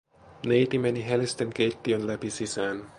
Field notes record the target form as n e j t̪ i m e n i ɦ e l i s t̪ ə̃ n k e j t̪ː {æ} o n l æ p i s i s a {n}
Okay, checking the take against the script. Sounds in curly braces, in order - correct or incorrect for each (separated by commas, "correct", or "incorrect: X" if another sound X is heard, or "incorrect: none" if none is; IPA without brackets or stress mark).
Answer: incorrect: i, correct